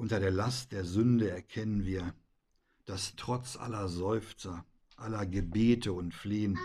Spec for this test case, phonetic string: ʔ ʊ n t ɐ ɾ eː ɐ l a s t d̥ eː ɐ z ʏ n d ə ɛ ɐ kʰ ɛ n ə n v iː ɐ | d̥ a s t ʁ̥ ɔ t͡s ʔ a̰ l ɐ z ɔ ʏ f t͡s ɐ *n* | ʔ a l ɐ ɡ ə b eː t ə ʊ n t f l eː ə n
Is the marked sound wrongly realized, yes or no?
yes